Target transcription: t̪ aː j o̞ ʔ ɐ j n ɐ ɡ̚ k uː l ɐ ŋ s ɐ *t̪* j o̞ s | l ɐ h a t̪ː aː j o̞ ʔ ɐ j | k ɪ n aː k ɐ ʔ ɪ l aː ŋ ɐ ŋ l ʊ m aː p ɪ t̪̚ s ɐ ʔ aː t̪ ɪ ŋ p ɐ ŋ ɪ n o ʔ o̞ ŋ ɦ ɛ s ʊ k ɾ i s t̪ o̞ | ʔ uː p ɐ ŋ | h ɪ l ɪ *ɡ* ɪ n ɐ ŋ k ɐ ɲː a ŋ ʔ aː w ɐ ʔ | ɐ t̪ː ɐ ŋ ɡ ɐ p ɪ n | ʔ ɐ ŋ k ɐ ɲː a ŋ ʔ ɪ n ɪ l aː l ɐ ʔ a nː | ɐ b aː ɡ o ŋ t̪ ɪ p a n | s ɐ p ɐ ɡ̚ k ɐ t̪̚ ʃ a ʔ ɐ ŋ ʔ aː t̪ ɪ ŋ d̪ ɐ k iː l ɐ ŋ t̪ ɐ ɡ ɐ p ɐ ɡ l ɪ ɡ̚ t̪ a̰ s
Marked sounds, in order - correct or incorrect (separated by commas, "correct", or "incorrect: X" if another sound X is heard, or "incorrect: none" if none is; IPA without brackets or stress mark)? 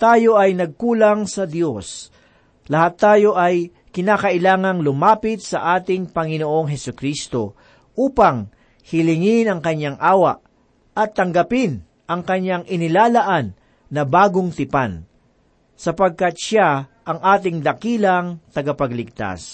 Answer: incorrect: d̪, incorrect: ŋ